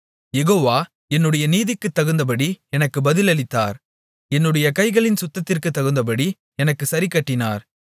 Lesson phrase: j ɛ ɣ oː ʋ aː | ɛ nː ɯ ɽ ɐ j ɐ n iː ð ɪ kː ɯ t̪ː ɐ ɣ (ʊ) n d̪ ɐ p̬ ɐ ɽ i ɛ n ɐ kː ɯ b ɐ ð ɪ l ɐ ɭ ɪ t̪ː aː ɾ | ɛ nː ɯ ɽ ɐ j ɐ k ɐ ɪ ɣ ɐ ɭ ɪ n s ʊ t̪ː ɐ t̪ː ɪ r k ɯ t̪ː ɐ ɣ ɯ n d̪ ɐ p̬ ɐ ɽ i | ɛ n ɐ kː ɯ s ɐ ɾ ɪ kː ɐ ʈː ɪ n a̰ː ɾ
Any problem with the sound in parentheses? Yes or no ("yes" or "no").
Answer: yes